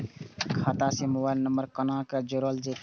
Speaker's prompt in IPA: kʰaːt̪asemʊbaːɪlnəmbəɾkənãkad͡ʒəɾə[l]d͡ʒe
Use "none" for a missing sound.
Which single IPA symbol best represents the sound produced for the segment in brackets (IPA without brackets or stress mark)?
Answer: l